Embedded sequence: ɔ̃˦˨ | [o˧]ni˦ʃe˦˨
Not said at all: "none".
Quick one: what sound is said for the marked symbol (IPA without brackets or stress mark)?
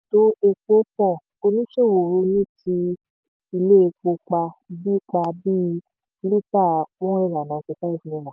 o˧